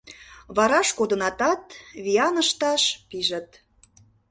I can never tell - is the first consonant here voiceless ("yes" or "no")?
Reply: no